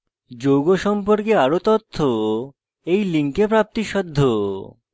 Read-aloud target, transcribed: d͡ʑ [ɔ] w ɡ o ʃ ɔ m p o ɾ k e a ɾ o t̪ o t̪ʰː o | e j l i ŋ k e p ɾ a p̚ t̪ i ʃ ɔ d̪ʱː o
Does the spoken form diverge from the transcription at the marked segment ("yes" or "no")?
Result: yes